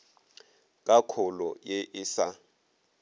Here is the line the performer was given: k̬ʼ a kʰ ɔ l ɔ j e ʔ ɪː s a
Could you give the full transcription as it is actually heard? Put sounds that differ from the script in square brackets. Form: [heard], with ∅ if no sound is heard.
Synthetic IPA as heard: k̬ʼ a kʰ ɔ l ɔ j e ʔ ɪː s a